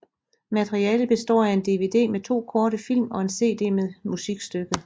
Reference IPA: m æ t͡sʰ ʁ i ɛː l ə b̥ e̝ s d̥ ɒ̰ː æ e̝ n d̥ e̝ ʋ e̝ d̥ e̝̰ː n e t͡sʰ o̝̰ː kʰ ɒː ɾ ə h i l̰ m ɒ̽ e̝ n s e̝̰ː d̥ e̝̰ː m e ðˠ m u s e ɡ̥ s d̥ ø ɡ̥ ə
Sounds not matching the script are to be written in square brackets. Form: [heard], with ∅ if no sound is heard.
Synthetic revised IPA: m æ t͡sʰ ʁ i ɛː l ə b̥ e̝ s d̥ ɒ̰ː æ e̝ n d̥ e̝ ʋ e̝ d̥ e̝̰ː [m] e t͡sʰ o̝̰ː kʰ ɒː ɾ ə [f] i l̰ m ɒ̽ e̝ n s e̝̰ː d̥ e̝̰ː m e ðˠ m u s [i] ɡ̥ s d̥ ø ɡ̥ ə